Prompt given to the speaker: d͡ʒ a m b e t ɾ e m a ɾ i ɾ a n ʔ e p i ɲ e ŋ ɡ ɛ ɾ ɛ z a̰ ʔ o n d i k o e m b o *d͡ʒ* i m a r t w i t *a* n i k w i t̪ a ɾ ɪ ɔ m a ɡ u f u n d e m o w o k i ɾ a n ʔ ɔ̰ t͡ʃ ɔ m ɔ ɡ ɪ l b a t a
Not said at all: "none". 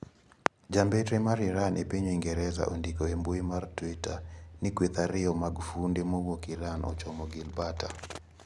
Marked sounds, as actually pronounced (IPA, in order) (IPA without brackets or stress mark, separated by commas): none, a